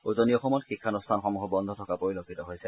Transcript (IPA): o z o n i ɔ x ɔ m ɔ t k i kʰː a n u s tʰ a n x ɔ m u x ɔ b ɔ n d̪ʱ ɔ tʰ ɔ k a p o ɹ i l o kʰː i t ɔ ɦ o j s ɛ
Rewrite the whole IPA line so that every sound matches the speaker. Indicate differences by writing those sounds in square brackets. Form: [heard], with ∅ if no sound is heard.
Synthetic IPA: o z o n i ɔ x ɔ m ɔ t [x] i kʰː a n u s tʰ a n x ɔ m u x ɔ b ɔ n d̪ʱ ɔ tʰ ɔ k a p o ɹ i l o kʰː i t ɔ ɦ o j s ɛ